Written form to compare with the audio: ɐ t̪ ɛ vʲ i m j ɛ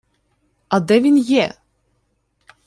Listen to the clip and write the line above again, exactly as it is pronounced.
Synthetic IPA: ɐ d̪ ɛ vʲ i n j ɛ